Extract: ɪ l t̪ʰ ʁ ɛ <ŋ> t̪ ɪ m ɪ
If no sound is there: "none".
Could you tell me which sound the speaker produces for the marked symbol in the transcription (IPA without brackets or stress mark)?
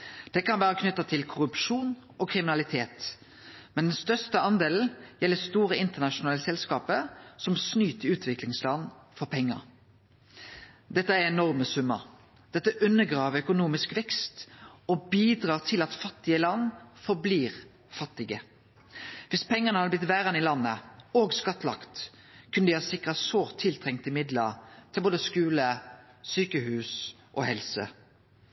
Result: ŋ